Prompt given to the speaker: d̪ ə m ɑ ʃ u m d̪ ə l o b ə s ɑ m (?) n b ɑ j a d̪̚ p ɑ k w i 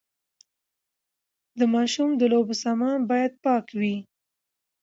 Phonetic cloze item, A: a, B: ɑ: B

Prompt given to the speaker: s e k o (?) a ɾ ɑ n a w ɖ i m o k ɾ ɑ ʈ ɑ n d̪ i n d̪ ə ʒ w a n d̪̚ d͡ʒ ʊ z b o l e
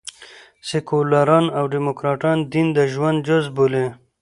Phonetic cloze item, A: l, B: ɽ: A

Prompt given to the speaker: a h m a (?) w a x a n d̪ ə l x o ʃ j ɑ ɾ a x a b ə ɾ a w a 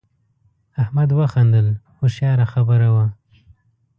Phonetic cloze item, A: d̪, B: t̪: A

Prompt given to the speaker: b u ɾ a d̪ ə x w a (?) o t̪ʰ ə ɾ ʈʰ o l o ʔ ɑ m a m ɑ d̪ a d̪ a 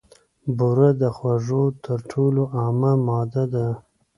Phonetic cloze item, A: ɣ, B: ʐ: B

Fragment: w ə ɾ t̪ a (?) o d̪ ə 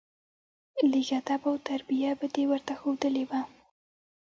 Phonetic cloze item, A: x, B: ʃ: A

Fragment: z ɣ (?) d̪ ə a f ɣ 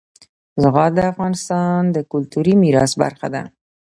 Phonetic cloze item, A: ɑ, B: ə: A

